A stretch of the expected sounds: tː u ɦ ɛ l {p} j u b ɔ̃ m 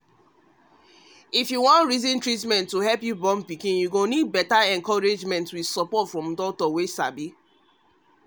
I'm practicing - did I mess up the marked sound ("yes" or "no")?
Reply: no